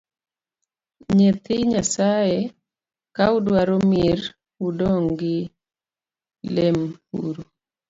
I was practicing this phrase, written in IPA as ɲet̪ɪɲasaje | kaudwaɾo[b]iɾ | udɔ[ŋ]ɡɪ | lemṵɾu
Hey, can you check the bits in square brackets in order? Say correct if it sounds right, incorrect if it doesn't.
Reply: incorrect, correct

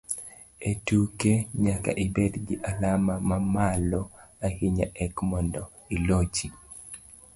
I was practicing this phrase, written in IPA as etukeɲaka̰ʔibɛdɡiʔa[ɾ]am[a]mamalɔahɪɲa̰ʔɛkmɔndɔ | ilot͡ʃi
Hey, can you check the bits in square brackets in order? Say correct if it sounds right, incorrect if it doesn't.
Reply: incorrect, correct

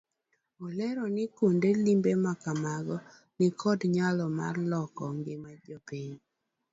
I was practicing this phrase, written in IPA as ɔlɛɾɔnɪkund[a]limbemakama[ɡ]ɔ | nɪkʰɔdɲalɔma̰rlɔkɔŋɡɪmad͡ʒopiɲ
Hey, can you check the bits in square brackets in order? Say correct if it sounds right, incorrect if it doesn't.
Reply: incorrect, correct

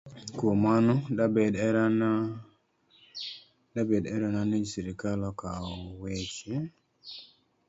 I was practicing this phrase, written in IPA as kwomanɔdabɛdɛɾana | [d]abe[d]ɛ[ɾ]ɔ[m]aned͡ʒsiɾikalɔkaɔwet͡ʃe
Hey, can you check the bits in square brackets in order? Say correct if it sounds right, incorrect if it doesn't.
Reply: correct, correct, correct, incorrect

